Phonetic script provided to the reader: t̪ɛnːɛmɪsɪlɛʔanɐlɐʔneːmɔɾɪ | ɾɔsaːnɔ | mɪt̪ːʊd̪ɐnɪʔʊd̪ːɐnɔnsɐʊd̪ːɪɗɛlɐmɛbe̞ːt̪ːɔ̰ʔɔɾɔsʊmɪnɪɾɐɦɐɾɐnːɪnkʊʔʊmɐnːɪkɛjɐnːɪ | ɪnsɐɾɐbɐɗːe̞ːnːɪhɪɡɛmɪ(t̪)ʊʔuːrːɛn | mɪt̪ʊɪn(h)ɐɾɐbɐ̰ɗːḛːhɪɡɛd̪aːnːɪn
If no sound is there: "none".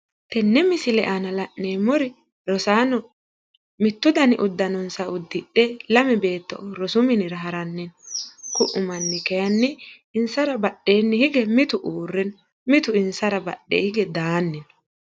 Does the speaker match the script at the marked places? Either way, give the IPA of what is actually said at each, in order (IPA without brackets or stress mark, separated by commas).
t̪, s